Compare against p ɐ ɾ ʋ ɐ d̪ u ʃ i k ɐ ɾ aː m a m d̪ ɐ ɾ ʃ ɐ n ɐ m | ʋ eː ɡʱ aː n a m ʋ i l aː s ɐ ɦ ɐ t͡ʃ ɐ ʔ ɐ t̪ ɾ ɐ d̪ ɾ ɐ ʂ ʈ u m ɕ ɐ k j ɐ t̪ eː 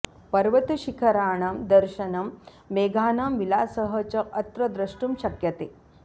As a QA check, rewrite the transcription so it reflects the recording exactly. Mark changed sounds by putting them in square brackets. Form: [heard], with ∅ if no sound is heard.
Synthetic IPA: p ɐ ɾ ʋ ɐ [t̪] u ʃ i [kʰ] ɐ ɾ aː [ɳ] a m d̪ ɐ ɾ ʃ ɐ n ɐ m | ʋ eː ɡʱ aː n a m ʋ i l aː s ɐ ɦ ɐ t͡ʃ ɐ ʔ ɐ t̪ ɾ ɐ d̪ ɾ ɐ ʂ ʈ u m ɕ ɐ k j ɐ t̪ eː